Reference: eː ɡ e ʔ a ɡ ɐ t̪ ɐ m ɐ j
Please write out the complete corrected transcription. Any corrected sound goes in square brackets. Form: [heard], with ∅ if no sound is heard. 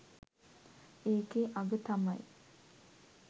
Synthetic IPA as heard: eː [k] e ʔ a ɡ [ə] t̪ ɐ m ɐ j

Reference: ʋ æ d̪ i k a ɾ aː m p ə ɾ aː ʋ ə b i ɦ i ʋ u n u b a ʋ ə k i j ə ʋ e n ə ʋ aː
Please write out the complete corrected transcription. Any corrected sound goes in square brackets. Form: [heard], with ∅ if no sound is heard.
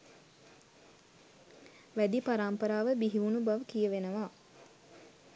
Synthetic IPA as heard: ʋ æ d̪ i [p] a ɾ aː m p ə ɾ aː ʋ ə b i ɦ i ʋ u n u b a ʋ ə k i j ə ʋ e n ə ʋ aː

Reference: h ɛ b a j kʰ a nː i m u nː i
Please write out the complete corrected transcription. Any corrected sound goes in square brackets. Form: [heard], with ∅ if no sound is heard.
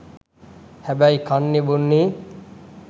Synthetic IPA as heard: h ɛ b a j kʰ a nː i [b] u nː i

